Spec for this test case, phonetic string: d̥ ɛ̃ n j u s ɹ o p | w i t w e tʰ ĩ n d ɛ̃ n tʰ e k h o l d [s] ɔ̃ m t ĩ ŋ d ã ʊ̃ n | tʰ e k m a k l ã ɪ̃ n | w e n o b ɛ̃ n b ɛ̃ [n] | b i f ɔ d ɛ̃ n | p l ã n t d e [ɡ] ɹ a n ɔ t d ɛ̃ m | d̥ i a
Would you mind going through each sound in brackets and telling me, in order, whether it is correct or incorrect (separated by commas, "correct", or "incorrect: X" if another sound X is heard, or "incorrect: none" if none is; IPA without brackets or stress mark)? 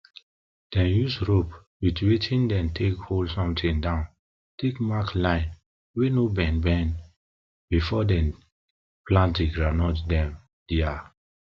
correct, correct, correct